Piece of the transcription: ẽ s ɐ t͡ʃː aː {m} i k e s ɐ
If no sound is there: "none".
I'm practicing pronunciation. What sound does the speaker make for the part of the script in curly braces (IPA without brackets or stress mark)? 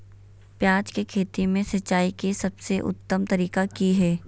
none